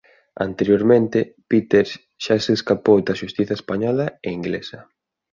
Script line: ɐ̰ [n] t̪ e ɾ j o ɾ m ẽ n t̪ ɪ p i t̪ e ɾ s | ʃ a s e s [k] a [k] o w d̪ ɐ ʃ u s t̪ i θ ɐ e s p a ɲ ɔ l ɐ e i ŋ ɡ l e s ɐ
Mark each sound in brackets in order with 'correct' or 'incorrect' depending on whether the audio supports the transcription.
correct, correct, incorrect

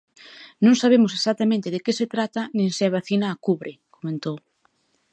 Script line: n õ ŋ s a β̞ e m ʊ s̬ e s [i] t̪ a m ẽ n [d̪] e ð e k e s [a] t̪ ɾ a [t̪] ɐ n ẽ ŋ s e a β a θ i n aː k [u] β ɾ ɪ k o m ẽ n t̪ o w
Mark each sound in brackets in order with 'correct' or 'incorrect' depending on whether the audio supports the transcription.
incorrect, incorrect, incorrect, correct, correct

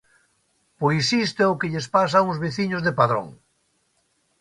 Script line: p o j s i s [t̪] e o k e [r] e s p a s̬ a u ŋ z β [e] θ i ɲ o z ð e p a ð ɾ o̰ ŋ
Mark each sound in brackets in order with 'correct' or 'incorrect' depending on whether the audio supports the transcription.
correct, incorrect, correct

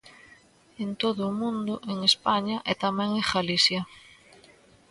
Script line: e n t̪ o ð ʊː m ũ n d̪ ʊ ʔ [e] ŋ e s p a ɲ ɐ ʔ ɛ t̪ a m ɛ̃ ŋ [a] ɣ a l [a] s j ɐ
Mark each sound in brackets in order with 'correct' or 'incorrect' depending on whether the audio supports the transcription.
correct, incorrect, incorrect

